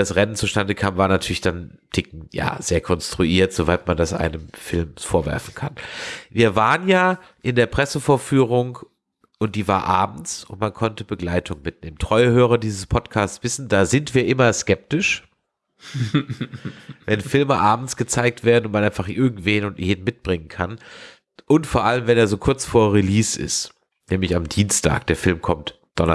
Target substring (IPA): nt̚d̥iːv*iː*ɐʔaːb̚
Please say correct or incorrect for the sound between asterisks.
incorrect